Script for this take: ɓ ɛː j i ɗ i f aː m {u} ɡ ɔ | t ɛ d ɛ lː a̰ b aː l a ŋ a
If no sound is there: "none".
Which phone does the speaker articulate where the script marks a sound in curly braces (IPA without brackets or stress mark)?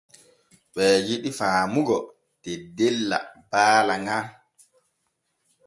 u